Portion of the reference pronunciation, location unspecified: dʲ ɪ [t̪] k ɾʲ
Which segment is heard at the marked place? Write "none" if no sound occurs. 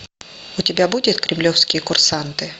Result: t̪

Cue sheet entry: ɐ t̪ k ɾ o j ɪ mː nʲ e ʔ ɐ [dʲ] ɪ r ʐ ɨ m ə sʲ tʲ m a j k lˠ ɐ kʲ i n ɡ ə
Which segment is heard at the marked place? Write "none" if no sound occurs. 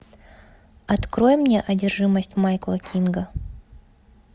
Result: dʲ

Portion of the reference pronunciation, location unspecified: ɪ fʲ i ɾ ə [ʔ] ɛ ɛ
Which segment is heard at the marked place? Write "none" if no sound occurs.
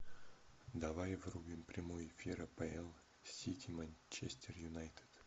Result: p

